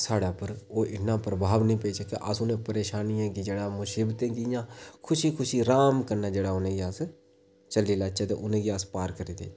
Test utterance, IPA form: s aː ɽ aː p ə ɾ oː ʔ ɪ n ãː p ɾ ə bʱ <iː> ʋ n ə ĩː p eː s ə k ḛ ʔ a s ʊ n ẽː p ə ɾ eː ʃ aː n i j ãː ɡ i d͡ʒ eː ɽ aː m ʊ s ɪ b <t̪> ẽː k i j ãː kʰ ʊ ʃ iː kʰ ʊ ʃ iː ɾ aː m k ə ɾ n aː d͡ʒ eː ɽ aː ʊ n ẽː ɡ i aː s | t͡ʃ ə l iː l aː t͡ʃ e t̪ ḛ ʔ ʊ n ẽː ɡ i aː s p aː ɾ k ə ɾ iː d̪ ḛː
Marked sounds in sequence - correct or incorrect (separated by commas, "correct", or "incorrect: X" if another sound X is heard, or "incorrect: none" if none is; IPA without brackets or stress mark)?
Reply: incorrect: aː, correct